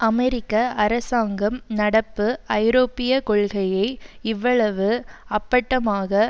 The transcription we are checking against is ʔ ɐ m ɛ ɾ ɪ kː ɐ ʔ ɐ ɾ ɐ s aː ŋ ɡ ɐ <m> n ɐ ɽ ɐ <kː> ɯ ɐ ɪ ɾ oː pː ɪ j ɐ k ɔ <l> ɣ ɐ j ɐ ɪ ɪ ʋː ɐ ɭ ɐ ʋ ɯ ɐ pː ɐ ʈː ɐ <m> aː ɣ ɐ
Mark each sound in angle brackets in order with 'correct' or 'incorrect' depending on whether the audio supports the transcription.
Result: correct, incorrect: pː, incorrect: ɭ, correct

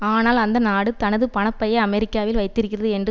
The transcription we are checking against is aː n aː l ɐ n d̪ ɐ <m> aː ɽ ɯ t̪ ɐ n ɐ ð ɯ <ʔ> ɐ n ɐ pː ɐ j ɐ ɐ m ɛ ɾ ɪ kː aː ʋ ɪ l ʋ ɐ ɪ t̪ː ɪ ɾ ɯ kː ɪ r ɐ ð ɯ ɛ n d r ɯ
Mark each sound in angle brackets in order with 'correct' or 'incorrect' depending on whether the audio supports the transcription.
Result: incorrect: n, incorrect: p

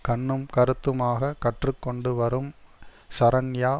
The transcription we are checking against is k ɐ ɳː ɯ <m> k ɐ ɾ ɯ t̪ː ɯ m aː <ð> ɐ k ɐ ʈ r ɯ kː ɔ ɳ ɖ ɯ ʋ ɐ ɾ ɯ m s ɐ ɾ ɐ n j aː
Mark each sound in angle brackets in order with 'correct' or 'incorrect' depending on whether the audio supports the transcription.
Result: correct, incorrect: ɣ

